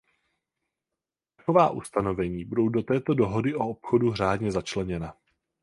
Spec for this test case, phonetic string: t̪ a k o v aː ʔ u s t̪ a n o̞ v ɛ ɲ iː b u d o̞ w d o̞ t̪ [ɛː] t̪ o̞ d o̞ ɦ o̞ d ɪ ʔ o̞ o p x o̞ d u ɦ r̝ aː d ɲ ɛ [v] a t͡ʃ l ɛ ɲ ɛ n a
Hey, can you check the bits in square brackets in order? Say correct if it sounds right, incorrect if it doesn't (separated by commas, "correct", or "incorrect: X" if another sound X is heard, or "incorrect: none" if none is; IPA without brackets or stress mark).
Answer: correct, incorrect: z